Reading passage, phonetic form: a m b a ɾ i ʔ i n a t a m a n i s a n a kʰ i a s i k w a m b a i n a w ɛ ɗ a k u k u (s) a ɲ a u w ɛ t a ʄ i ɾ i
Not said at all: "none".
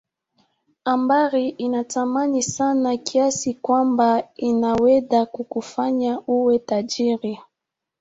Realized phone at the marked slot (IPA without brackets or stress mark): f